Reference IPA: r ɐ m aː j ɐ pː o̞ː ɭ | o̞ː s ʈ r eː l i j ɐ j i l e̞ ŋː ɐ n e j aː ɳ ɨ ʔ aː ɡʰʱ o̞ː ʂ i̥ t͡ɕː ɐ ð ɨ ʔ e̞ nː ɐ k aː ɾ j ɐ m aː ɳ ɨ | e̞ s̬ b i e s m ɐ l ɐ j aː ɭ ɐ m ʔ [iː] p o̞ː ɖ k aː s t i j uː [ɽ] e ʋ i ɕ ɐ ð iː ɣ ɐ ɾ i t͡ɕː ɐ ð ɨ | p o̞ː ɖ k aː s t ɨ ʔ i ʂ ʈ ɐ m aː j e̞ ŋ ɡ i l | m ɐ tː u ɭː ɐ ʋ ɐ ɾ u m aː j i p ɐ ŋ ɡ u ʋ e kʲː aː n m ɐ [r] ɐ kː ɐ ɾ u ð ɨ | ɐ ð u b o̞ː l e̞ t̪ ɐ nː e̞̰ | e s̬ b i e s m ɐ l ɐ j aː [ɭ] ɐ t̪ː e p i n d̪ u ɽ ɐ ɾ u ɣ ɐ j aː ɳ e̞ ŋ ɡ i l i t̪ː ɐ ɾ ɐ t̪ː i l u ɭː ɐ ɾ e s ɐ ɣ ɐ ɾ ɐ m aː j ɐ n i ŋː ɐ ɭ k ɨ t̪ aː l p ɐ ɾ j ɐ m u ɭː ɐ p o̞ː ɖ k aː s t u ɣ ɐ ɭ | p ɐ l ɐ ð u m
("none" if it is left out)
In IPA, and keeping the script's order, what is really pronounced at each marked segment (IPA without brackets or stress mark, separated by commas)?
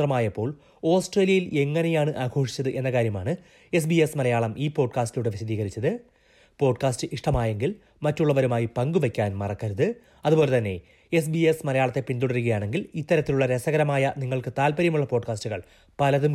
iː, ɽ, r, ɭ